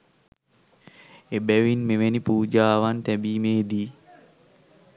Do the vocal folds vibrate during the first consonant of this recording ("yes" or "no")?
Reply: yes